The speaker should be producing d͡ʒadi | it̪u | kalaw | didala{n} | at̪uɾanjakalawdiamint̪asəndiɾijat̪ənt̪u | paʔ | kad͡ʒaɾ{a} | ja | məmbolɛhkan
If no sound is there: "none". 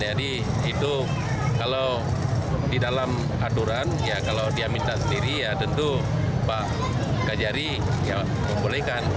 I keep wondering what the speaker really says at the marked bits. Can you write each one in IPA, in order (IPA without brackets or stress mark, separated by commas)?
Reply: m, i